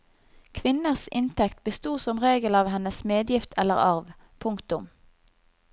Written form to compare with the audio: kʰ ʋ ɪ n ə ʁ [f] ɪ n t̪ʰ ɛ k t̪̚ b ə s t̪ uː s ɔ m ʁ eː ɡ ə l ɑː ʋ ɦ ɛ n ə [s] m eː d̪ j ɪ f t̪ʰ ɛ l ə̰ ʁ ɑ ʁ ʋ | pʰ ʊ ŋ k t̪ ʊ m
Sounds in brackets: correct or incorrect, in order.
incorrect: s, correct

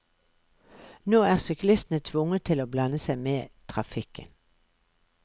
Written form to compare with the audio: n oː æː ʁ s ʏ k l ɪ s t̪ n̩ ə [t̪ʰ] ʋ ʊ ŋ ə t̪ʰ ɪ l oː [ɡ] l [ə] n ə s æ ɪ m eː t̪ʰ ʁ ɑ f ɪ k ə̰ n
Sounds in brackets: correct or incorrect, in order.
correct, incorrect: b, incorrect: ɑ

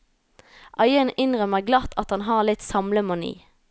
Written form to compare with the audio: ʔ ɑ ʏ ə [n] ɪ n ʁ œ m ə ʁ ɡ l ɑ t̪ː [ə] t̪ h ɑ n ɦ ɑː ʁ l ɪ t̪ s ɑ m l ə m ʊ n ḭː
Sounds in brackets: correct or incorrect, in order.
correct, incorrect: ɑ

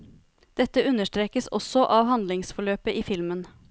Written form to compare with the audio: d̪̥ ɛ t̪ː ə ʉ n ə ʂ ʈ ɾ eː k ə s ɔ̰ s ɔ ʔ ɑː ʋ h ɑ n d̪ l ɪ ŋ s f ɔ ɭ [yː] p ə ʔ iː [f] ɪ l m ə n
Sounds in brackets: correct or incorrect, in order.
incorrect: øː, correct

